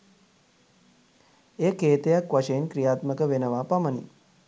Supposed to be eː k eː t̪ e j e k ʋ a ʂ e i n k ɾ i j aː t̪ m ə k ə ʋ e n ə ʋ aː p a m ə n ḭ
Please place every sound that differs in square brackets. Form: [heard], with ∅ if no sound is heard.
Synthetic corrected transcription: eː k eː t̪ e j [a] k ʋ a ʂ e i n k ɾ i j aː t̪ m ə k ə ʋ e n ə ʋ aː p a m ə n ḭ